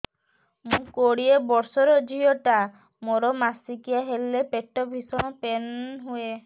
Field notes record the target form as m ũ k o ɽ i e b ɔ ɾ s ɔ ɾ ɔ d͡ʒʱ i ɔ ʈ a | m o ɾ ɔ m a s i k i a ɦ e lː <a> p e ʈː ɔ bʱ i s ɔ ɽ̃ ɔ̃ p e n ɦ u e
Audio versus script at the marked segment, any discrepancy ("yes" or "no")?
yes